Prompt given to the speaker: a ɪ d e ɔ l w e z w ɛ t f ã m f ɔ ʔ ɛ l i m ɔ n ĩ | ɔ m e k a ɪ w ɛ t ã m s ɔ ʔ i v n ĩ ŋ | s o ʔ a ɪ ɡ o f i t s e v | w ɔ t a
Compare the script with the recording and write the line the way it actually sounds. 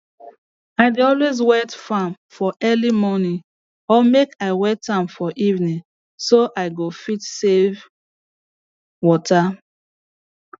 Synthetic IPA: a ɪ d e ɔ l w e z w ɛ t f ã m f ɔ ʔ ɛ l i m ɔ n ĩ | ɔ m e k a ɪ w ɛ t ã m f ɔ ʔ i v n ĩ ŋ | s o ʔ a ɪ ɡ o f i t s e v | w ɔ t a